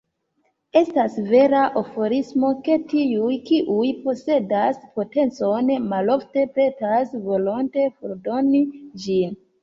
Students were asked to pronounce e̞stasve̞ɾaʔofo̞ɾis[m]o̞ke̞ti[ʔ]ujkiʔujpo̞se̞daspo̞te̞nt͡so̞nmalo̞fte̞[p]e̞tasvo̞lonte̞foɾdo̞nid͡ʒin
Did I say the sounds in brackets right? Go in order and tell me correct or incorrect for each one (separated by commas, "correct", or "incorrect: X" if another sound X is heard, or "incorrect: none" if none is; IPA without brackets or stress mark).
correct, incorrect: none, correct